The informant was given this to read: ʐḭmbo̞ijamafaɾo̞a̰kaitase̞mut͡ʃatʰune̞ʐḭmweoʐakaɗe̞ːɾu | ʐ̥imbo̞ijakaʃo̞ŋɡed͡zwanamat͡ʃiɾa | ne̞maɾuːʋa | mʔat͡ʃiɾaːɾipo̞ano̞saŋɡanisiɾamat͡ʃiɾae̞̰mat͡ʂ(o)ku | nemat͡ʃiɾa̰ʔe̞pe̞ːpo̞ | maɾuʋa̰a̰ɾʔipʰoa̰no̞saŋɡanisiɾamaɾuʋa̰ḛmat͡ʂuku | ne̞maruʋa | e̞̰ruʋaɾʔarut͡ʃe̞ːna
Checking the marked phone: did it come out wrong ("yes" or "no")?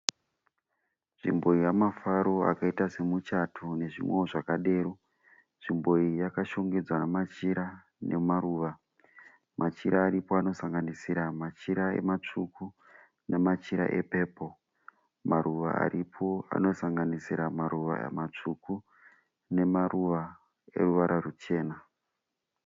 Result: yes